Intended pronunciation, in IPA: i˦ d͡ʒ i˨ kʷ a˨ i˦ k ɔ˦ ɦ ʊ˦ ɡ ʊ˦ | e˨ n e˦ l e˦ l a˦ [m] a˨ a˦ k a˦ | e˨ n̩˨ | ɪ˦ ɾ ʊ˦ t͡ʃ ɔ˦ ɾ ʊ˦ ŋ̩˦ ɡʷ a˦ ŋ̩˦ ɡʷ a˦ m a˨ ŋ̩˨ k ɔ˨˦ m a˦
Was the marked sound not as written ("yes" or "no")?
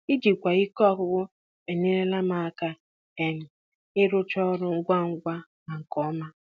no